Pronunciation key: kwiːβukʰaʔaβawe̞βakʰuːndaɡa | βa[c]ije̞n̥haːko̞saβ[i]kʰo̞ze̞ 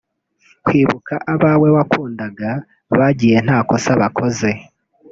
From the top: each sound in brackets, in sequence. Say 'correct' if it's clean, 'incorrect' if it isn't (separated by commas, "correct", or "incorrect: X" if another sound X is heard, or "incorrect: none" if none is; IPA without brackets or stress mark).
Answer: incorrect: ɟ, incorrect: a